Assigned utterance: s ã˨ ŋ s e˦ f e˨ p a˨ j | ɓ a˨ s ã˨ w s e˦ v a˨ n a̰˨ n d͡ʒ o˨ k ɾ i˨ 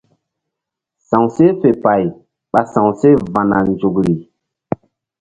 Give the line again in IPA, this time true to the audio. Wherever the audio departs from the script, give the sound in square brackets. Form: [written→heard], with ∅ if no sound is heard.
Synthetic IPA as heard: s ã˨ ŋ s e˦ f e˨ p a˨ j | ɓ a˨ s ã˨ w s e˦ v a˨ n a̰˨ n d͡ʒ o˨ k ɾ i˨

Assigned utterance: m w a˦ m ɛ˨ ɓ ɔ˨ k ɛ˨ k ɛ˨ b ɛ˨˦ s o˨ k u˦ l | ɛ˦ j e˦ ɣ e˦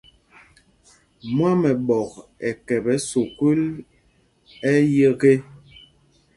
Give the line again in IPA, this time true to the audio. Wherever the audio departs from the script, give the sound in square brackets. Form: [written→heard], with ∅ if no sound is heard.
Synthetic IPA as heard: m w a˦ m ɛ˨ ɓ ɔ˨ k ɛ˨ k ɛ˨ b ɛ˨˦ s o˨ k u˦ l | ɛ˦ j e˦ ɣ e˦

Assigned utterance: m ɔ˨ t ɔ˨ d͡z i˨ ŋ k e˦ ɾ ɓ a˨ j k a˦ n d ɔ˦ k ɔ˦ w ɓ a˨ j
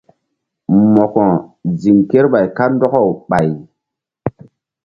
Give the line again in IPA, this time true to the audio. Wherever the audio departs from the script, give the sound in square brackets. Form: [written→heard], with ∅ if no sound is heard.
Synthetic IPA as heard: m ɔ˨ [t→k] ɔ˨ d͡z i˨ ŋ k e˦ ɾ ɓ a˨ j k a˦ n d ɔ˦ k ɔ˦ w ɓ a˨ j

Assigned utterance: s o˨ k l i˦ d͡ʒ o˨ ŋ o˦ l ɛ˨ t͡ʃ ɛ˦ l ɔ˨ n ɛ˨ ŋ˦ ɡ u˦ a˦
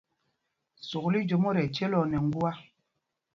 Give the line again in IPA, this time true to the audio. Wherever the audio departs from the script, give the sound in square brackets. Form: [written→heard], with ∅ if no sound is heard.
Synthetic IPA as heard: s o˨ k l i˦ d͡ʒ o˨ [ŋ→m] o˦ [l→ɾ] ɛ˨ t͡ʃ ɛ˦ l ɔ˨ n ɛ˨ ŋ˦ ɡ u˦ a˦

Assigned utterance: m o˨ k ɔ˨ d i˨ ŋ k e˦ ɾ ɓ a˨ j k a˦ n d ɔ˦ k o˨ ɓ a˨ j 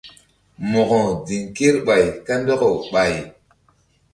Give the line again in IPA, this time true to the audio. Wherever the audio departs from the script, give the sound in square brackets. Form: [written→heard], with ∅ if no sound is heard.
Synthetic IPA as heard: m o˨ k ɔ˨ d i˨ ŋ k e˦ ɾ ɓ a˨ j k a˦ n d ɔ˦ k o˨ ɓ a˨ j

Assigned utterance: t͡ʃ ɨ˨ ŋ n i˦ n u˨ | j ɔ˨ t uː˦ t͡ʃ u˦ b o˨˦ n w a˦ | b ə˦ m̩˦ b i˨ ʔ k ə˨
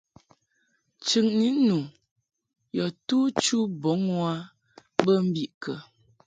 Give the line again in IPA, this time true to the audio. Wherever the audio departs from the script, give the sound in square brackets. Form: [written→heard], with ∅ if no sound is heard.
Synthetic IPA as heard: t͡ʃ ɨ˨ ŋ n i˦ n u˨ | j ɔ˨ t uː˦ t͡ʃ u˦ b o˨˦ [n→ŋ] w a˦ | b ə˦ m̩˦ b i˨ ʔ k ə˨

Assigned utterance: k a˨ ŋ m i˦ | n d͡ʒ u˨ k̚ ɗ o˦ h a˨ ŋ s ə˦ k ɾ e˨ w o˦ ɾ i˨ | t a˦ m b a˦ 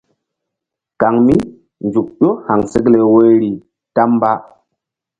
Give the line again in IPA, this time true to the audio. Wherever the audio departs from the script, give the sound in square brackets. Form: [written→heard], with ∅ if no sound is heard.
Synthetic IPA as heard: k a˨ ŋ m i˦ | n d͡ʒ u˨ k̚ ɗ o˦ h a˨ ŋ s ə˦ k [ɾ→l] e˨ w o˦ ɾ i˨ | t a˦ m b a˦

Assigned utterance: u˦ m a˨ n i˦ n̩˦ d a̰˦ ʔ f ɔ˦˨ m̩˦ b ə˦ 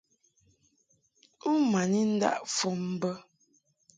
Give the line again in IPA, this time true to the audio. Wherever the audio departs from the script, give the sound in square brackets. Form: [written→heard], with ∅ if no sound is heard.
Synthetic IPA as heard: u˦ m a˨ n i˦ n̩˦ d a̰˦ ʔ f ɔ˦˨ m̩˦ b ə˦

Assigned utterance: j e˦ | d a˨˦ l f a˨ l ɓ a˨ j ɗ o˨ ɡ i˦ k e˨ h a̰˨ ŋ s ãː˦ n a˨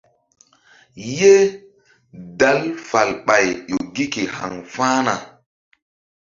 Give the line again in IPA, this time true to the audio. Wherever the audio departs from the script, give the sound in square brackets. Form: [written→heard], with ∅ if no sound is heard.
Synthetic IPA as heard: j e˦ | d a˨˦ l f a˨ l ɓ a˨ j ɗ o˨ ɡ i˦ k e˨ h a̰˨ ŋ [s→f] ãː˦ n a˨

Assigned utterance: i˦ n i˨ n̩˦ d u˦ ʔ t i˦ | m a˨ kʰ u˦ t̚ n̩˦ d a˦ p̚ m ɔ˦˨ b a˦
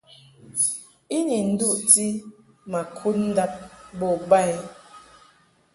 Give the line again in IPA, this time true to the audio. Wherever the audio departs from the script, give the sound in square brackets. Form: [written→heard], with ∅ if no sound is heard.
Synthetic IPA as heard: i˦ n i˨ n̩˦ d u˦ ʔ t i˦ | m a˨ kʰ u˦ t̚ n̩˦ d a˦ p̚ [m→b] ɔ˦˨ b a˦

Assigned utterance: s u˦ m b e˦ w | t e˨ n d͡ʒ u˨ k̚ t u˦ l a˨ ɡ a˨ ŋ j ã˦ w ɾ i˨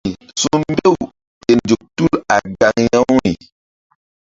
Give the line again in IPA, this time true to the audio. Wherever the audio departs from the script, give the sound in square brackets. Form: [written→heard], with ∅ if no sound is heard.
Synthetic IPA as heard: s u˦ m b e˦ w | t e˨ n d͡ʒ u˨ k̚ t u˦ l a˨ ɡ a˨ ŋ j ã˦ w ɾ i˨

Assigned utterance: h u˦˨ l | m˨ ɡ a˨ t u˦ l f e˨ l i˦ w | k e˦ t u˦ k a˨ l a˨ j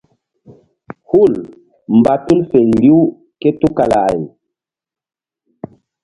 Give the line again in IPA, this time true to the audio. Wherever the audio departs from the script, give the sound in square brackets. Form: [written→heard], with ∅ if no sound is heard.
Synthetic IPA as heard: h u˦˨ l | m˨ [ɡ→b] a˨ t u˦ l f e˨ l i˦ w | k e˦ t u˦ k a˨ l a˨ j

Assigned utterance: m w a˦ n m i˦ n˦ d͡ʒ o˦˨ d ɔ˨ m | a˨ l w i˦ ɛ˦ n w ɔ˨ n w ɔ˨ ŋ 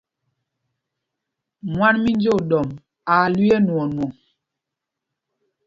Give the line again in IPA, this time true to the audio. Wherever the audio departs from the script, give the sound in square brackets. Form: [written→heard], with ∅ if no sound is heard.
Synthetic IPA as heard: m w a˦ n m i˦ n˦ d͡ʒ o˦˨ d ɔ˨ m | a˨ l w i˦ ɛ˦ n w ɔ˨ n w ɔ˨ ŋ

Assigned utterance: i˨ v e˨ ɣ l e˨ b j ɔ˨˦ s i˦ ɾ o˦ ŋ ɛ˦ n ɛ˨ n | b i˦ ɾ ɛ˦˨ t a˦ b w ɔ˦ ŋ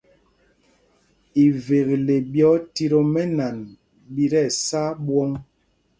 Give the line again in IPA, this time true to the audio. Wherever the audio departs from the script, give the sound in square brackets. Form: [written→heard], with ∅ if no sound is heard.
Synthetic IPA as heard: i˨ v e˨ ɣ l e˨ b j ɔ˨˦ [s→t] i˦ ɾ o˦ [ŋ→m] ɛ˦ n [ɛ˨→a˨] n | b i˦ ɾ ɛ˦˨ [t→s] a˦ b w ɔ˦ ŋ

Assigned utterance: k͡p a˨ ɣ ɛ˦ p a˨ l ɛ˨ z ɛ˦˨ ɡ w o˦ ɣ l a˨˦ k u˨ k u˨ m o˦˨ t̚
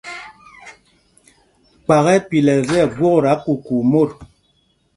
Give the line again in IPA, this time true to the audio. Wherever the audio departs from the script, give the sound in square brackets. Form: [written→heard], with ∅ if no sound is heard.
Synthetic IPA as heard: k͡p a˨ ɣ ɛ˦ p [a˨→i˨] l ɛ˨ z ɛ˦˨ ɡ w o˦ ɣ [l→ɾ] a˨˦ k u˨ k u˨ m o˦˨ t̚

